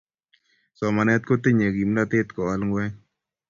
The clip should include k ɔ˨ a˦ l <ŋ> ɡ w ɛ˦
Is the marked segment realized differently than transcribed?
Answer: no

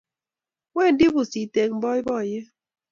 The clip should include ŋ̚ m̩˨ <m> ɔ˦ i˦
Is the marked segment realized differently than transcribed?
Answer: yes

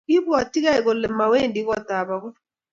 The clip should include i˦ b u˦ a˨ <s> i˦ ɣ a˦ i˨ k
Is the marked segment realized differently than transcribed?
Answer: yes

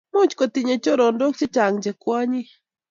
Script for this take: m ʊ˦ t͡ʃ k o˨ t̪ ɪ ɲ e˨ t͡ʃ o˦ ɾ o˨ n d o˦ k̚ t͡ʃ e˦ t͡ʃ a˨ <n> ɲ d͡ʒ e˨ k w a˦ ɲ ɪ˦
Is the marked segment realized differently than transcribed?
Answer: yes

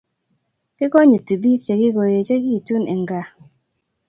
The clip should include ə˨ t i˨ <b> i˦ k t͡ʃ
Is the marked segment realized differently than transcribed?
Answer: no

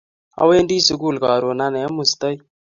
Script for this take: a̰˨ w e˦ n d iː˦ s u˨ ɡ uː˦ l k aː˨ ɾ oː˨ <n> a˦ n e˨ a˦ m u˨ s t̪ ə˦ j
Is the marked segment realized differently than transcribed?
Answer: no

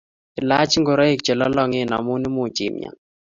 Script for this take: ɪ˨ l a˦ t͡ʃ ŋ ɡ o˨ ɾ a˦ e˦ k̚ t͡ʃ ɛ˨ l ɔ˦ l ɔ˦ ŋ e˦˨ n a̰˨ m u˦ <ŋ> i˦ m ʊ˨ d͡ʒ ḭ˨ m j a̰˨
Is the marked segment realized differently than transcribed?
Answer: yes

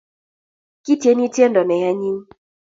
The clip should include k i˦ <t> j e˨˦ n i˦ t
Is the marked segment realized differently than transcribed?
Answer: no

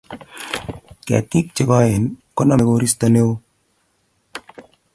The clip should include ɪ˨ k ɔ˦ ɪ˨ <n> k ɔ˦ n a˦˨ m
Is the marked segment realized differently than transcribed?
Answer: no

